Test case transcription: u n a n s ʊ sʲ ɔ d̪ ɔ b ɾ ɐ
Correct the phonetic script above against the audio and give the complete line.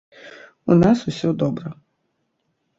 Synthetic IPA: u n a s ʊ sʲ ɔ d̪ ɔ b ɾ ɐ